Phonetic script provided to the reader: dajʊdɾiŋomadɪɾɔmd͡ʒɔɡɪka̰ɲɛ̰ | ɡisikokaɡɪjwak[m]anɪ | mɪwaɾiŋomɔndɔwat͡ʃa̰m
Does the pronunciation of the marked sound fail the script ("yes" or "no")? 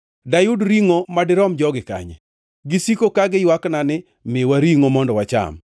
yes